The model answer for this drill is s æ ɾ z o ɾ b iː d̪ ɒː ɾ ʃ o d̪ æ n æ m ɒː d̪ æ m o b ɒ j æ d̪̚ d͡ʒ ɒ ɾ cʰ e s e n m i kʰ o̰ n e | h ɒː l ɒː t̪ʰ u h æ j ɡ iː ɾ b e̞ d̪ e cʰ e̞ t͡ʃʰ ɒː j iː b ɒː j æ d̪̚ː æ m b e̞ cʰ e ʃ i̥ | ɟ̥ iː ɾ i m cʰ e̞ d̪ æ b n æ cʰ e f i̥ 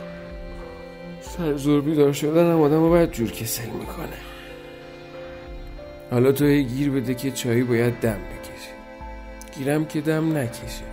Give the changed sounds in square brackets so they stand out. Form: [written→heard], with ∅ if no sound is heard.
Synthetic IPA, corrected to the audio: s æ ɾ z o ɾ b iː d̪ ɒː ɾ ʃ o d̪ æ n æ m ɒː d̪ æ m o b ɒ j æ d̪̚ d͡ʒ [ɒ→u] ɾ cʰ e s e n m i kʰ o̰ n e | h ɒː l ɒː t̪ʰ [u→o] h [æ→e] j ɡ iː ɾ b e̞ d̪ e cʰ e̞ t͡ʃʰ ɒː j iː b ɒː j æ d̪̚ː æ m b e̞ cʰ e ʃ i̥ | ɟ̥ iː ɾ [i→æ] m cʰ e̞ d̪ æ [b→m] n æ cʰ e [f→ʃ] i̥